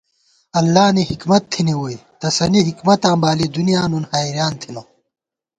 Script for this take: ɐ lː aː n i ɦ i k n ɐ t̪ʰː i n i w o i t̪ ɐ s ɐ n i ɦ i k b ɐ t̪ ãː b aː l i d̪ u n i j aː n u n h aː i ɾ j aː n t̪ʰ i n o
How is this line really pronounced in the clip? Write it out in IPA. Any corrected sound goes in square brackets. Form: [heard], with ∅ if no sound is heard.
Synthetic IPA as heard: ɐ lː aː n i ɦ i k [m] ɐ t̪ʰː i n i w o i t̪ ɐ s ɐ n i ɦ i k [m] ɐ t̪ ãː b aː l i d̪ u n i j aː n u n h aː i ɾ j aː n t̪ʰ i n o